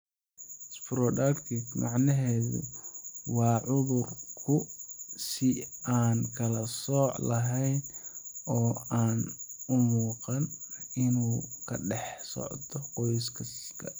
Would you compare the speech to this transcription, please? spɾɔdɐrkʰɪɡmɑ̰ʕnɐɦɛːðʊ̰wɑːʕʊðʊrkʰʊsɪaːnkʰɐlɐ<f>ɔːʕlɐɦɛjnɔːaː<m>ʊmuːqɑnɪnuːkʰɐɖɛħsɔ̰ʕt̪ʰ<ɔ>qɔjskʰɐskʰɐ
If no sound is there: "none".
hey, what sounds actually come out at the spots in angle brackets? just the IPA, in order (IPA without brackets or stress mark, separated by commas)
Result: s, n, ɔ